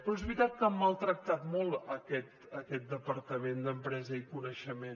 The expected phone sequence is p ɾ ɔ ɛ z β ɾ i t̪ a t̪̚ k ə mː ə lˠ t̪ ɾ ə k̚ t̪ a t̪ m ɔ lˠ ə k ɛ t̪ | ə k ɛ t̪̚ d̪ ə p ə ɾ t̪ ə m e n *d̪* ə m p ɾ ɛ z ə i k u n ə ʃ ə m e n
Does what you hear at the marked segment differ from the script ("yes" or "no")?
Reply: no